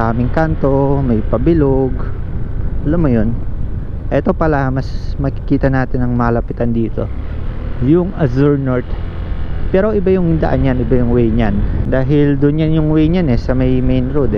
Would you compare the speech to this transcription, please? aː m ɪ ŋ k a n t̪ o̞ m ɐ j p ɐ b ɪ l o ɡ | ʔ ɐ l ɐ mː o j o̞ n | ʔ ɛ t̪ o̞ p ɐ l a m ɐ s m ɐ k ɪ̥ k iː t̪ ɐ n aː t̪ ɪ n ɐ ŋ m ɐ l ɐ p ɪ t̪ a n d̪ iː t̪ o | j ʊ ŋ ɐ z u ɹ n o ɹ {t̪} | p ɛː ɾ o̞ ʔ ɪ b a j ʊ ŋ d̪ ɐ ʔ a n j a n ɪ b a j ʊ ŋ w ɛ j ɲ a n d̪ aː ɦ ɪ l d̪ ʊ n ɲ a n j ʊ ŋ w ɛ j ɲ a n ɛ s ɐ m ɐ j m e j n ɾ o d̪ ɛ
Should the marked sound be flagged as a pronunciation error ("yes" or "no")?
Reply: no